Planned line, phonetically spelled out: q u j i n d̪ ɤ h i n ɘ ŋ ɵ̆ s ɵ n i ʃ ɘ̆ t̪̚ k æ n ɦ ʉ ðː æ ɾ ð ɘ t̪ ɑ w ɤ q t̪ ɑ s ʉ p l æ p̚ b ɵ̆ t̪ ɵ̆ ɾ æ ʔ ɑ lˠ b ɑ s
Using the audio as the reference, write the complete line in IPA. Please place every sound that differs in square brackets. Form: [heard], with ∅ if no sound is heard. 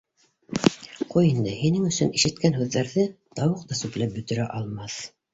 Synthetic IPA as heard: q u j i n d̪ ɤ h i n ɘ ŋ ɵ̆ s ɵ n i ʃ ɘ̆ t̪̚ k æ n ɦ ʉ ðː æ ɾ ð ɘ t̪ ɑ w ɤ q t̪ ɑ s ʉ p l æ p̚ b ɵ̆ t̪ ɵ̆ ɾ æ ʔ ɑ lˠ [m] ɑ [θ]